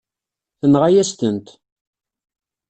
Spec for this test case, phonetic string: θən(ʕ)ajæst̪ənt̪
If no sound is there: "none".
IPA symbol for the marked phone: ʁ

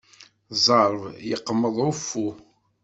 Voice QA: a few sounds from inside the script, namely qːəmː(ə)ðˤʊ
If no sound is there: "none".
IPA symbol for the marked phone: ə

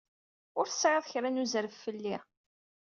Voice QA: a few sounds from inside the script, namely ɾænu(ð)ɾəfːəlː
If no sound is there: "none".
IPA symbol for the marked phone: z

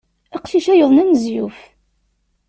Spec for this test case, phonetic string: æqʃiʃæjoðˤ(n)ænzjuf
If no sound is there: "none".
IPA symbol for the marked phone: n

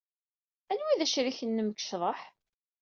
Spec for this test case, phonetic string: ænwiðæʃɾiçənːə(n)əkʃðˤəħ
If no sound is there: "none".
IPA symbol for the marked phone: m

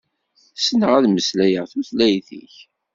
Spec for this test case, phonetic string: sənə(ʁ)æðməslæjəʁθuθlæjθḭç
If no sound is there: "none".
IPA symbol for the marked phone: ʁ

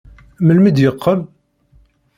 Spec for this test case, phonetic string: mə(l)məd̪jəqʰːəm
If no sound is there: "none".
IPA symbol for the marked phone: l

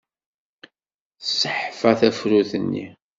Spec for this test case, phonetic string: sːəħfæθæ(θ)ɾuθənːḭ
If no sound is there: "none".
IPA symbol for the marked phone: f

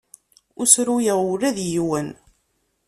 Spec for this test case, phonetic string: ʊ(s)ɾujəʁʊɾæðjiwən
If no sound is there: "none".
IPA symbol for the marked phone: s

